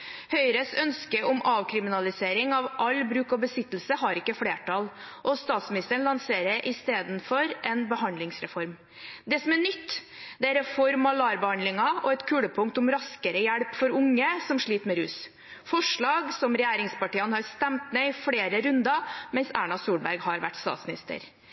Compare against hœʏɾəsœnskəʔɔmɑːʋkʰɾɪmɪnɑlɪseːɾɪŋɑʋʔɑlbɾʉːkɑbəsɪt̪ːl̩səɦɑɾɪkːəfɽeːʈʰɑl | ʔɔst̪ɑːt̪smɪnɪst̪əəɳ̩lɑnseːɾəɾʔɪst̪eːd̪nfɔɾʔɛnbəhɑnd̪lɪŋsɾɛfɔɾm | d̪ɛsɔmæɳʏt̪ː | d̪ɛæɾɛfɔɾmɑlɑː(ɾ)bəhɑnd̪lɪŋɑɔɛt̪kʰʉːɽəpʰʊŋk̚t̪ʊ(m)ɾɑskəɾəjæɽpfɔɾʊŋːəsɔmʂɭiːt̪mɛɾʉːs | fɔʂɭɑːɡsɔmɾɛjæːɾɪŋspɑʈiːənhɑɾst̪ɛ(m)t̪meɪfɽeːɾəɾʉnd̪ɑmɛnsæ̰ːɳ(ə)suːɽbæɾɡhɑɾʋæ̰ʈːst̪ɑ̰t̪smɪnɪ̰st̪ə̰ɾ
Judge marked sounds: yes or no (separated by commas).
yes, yes, yes, no